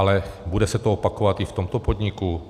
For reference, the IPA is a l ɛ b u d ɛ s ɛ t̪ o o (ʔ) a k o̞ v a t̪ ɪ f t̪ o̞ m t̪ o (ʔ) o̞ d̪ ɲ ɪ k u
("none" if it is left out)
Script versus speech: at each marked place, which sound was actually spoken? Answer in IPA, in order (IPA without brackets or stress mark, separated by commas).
p, p